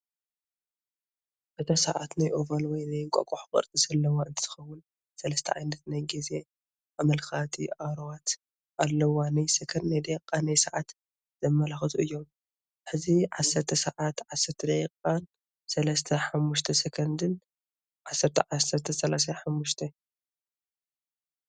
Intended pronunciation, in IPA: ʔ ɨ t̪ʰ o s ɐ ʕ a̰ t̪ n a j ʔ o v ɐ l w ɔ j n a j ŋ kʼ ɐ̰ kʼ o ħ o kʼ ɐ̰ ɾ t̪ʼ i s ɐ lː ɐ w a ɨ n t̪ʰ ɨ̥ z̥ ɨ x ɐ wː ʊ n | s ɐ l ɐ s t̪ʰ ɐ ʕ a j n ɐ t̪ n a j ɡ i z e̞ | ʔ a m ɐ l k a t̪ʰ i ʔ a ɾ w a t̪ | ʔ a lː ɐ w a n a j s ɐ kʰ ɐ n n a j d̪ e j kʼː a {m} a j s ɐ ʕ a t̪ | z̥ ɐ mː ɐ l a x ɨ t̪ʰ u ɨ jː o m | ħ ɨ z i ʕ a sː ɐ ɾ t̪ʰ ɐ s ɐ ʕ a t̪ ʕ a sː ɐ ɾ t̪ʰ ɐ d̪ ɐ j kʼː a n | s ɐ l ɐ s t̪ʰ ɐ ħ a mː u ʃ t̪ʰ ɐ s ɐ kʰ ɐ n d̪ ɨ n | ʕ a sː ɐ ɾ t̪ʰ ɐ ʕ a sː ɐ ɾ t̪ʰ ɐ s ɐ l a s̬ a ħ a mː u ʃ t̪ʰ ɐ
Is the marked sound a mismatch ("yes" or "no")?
yes